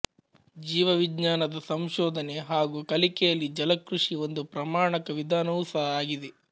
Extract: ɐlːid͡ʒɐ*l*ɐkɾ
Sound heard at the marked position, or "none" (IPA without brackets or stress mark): l